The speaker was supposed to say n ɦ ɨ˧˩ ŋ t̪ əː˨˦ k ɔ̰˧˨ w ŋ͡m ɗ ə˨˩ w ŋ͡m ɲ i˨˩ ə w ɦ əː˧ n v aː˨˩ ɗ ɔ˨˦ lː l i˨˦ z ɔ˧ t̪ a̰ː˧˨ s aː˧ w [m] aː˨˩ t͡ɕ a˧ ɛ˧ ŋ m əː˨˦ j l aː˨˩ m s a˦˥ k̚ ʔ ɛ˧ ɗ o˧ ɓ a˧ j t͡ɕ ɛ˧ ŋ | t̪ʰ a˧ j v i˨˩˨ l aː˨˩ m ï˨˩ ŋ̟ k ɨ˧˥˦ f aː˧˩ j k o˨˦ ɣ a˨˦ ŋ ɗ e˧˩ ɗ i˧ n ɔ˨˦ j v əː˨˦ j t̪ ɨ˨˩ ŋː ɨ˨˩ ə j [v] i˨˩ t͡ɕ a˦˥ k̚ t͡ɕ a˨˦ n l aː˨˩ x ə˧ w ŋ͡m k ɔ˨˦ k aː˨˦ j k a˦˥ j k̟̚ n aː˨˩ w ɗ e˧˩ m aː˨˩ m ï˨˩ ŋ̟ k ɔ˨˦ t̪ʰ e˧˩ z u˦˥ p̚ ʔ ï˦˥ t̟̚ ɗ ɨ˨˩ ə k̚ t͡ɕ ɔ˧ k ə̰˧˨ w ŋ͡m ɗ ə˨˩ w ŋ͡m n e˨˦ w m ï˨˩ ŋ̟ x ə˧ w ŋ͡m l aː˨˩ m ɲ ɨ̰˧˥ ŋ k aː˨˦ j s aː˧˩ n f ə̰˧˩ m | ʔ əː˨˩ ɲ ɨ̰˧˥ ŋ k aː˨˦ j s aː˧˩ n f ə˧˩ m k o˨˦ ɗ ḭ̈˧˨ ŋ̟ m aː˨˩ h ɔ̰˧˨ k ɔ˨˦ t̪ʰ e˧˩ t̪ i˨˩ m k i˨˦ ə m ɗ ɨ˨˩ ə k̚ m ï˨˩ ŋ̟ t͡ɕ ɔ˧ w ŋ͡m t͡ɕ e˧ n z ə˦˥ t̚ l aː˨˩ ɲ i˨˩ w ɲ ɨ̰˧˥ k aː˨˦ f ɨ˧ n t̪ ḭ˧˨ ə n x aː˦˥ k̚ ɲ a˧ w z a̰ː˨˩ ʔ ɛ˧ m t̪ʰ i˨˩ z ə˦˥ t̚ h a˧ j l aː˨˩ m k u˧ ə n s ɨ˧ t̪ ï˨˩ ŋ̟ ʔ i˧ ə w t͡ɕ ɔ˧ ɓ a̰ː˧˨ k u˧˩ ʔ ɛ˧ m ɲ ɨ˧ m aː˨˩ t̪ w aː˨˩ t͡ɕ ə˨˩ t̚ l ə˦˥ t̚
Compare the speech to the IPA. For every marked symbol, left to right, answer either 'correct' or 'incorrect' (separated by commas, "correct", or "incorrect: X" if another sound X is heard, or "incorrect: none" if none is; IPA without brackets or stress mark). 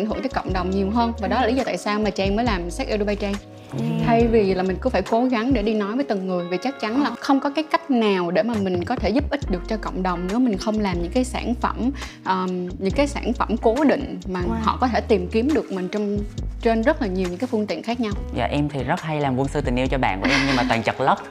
correct, correct